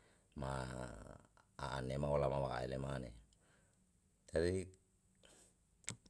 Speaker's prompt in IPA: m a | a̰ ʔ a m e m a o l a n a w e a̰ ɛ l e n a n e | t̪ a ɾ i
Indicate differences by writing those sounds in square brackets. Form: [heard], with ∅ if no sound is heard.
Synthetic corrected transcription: m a | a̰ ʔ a [n] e m a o l a [m] a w [a] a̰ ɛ l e [m] a n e | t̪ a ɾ i